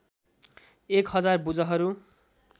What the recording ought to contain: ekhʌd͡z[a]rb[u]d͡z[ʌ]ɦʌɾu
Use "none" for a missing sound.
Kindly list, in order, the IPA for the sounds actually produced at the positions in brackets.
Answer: a, u, ʌ

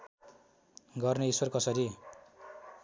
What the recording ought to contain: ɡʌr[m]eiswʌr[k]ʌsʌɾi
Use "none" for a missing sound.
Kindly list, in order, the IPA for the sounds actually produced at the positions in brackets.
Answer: n, k

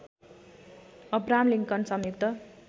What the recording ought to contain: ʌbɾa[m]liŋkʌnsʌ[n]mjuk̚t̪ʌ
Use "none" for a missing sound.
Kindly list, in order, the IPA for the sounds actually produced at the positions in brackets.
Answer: m, none

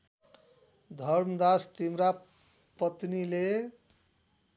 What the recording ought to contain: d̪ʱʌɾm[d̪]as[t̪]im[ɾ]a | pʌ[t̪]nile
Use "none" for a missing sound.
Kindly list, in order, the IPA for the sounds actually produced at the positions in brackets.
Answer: d̪, t̪, ɾ, t̪

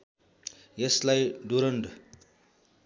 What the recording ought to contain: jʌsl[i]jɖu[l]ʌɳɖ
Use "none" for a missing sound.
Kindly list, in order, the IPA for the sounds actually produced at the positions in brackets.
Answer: a, ɾ

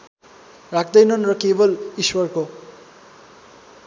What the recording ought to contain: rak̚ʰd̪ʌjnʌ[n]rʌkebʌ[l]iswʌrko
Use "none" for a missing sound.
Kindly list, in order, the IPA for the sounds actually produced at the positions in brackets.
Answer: n, l

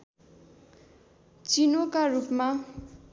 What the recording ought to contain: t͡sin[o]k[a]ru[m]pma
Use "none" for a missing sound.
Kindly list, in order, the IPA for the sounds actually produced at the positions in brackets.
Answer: o, a, none

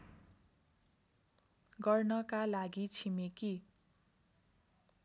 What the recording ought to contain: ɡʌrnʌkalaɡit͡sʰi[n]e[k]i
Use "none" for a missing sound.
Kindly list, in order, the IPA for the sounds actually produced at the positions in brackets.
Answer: m, k

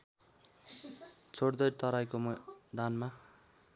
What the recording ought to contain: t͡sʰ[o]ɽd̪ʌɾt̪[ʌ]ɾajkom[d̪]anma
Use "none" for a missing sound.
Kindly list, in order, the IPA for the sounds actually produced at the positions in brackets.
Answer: o, ʌ, d̪

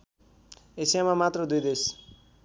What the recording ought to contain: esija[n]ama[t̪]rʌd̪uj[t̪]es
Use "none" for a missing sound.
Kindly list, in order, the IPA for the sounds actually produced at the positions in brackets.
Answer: m, t̪, d̪

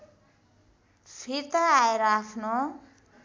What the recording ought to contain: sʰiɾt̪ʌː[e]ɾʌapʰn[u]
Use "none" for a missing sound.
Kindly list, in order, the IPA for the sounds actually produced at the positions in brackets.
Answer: e, o

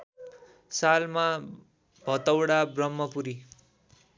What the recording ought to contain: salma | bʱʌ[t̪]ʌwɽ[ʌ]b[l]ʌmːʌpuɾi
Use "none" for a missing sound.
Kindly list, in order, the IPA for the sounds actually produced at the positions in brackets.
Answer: t̪, a, r

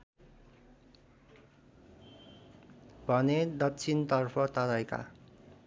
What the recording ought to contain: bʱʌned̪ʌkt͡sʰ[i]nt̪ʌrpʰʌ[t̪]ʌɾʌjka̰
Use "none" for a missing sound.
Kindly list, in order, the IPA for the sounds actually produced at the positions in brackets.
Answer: i, t̪

